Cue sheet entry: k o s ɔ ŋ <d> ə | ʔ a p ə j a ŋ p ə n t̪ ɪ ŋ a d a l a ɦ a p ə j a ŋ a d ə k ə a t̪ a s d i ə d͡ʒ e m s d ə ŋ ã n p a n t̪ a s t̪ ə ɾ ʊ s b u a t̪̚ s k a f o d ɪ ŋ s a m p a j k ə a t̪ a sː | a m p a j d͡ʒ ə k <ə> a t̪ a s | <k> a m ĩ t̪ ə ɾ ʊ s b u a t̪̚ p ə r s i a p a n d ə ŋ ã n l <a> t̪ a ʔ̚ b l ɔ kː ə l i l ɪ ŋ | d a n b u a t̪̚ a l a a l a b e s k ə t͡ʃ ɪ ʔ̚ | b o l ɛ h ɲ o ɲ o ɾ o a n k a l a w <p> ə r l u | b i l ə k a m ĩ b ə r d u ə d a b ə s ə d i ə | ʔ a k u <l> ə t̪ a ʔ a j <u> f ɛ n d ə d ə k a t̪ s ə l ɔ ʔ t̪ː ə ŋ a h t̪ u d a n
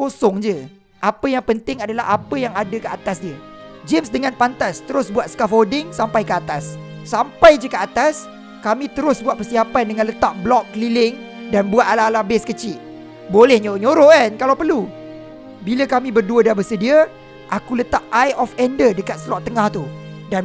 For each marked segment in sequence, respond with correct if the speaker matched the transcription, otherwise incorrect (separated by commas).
incorrect, correct, correct, incorrect, correct, correct, incorrect